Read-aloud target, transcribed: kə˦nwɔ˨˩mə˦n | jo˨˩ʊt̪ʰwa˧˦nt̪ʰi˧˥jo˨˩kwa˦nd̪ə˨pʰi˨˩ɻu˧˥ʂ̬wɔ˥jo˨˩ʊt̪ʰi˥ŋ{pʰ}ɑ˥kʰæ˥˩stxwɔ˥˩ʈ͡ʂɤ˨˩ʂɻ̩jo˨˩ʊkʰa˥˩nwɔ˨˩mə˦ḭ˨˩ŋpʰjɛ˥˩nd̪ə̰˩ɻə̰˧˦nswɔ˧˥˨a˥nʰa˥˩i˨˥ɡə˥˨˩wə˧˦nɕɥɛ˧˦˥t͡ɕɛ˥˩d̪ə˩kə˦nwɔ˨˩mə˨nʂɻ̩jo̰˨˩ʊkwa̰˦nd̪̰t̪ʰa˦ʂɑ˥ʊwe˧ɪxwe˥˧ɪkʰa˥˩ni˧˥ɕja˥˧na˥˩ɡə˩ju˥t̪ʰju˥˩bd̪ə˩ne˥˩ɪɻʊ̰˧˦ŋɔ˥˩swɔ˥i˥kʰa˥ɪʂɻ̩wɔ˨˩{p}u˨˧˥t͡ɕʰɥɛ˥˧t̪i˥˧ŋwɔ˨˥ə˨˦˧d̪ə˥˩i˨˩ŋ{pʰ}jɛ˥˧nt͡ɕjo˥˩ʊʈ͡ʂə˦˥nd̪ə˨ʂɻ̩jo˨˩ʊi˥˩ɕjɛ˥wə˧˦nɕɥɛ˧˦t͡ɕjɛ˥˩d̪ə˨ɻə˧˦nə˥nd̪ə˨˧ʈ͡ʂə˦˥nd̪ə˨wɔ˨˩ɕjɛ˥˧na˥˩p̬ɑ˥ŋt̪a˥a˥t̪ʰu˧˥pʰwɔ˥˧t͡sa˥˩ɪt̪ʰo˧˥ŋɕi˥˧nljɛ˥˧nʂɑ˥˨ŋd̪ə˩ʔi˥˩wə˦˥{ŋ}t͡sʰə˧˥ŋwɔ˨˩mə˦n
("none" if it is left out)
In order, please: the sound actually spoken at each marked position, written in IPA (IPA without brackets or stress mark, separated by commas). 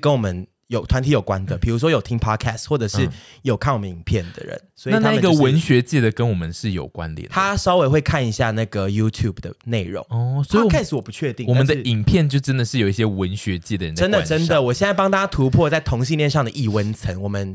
pʰ, p, pʰ, n